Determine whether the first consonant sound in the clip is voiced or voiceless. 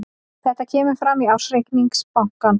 voiceless